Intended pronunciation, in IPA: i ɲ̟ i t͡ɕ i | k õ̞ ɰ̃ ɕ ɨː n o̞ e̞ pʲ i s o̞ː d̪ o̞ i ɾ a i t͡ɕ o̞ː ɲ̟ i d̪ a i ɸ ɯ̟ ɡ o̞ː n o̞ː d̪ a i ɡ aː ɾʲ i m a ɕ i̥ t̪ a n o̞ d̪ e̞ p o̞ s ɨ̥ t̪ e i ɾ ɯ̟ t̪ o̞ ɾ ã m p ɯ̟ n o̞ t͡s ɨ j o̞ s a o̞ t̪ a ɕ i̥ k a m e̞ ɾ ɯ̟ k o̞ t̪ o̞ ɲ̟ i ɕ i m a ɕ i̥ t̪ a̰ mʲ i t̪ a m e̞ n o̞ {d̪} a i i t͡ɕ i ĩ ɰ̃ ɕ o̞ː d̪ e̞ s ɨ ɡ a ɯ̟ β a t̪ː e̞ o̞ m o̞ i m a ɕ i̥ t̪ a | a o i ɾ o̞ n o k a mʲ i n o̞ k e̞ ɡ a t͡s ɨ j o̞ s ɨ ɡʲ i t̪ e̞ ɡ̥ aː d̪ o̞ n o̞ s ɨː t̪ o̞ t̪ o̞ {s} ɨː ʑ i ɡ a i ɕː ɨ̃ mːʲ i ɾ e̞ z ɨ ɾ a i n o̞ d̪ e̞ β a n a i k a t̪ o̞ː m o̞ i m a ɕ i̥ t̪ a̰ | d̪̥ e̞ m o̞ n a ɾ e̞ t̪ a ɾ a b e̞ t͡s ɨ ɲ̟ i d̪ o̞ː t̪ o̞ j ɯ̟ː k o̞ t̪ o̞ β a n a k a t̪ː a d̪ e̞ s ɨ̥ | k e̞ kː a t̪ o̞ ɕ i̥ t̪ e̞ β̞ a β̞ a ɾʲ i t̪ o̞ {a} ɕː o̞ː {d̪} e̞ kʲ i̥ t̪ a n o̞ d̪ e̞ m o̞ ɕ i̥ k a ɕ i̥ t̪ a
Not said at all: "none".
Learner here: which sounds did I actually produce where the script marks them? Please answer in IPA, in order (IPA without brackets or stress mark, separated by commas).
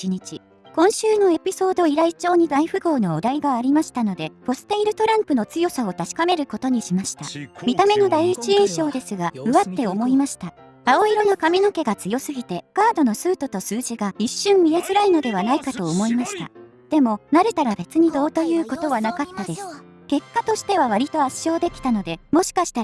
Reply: d̪, s, a, d̪